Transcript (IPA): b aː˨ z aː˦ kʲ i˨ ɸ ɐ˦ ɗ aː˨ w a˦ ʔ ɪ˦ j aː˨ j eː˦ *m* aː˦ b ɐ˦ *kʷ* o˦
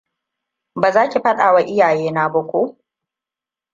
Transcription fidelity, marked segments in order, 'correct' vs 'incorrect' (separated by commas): incorrect, correct